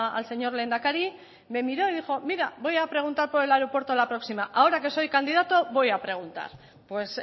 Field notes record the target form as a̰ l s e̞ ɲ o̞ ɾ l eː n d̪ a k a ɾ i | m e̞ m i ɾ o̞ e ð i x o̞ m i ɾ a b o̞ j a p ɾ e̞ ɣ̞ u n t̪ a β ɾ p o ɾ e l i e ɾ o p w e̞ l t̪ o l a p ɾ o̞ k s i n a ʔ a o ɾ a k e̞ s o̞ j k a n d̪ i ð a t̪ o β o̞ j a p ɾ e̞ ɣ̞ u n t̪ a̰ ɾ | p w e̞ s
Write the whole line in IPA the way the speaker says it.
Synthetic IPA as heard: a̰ l s e̞ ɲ o̞ ɾ l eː n d̪ a k a ɾ i | m e̞ m i ɾ o̞ e ð i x o̞ m i ɾ a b o̞ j a p ɾ e̞ ɣ̞ u n t̪ a ɾ p o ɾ e l a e ɾ o p w e̞ ɾ t̪ o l a p ɾ o̞ k s i m a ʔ a o ɾ a k e̞ s o̞ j k a n d̪ i ð a t̪ o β o̞ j a p ɾ e̞ ɣ̞ u n t̪ a̰ ɾ | p w e̞ s